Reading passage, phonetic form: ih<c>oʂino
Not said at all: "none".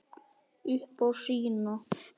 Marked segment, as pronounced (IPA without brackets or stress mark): p